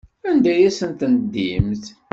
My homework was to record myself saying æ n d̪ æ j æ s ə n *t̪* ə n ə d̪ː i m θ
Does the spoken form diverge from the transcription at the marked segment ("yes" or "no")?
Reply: no